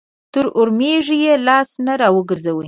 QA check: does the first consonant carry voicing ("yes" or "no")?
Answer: no